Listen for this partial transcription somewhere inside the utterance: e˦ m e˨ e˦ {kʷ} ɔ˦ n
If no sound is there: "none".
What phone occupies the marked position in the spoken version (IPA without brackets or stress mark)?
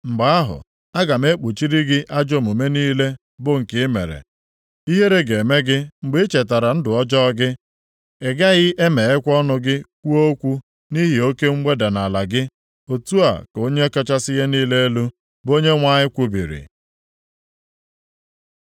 kʷ